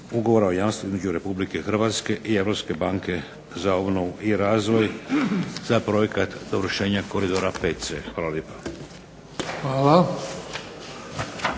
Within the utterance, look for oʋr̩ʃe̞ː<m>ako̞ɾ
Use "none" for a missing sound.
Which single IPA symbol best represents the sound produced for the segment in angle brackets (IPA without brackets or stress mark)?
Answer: ɲ